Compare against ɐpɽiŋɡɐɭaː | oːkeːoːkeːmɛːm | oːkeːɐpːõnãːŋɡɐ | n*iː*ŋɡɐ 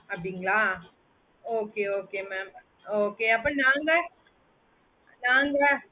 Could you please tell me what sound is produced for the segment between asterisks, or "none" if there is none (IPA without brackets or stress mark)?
aː